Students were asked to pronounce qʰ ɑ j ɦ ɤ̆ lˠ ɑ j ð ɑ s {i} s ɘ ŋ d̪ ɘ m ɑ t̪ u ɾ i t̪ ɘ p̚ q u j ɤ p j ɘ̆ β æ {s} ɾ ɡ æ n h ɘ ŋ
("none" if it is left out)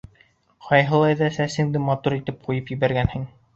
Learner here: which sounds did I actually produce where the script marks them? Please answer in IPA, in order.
æ, none

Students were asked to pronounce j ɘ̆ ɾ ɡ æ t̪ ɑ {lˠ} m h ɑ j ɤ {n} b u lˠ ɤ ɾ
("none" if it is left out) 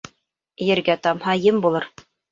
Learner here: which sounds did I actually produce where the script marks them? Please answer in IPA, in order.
none, m

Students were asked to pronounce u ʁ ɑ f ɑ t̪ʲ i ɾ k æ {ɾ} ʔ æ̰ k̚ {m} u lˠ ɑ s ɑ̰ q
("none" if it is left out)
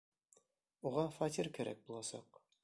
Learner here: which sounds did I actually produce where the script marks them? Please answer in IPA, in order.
ɾ, b

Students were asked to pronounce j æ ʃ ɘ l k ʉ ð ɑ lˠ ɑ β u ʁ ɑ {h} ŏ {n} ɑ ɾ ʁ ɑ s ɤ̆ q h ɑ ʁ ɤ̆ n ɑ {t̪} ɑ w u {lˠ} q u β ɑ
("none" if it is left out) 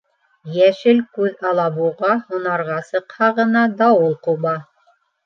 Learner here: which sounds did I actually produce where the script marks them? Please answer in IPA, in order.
h, n, d̪, lˠ

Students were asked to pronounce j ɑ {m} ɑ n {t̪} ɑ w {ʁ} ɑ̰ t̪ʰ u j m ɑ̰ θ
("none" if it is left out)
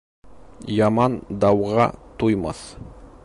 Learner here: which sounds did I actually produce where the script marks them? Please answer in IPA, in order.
m, d̪, ʁ

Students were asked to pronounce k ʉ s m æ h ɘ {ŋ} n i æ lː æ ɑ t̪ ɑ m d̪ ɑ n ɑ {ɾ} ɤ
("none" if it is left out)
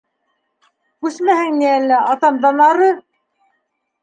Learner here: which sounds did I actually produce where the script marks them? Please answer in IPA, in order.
ŋ, ɾ

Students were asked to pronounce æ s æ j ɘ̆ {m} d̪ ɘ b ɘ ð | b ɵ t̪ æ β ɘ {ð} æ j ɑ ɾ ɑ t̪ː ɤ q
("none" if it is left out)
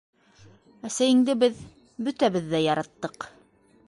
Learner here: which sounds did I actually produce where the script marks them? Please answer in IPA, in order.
ŋ, ðː

